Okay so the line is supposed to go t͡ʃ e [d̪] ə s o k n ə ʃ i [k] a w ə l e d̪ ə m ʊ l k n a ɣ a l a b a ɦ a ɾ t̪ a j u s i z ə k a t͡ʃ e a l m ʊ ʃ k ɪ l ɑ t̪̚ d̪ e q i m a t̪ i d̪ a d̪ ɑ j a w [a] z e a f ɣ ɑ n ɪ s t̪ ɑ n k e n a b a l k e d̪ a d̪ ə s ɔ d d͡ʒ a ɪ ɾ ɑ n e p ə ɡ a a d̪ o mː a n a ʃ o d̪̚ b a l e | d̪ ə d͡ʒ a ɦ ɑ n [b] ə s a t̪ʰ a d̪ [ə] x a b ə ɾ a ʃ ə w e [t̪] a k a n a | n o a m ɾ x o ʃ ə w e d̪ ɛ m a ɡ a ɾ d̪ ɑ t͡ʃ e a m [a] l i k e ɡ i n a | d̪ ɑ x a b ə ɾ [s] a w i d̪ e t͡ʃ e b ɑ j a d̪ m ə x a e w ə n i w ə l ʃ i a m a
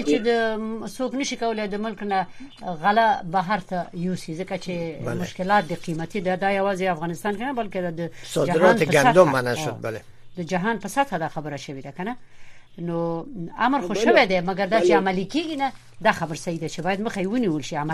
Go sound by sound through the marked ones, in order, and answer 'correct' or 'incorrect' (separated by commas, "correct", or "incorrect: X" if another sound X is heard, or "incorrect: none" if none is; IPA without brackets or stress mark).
correct, correct, incorrect: ɑ, incorrect: p, incorrect: ɑ, incorrect: d̪, correct, correct